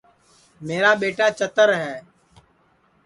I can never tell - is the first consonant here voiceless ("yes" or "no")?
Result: no